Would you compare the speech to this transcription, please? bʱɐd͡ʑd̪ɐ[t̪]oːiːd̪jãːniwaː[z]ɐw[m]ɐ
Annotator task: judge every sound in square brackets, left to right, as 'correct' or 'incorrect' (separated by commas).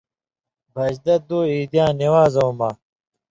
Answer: incorrect, correct, correct